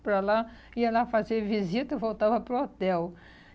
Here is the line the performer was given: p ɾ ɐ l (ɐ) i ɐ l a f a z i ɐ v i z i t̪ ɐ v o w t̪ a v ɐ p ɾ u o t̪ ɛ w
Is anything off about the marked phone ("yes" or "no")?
yes